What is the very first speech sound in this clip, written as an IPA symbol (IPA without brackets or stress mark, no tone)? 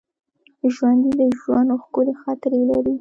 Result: ʒ